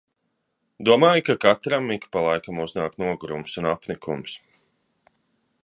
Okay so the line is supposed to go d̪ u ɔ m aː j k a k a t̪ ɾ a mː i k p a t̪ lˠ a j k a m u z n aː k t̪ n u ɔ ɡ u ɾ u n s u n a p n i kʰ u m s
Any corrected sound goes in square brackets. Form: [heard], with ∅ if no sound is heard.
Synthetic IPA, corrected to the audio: d̪ u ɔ m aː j k a k a t̪ ɾ a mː i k p a [∅] lˠ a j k a m u z n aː k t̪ n u ɔ ɡ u ɾ u [m] s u n a p n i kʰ u m s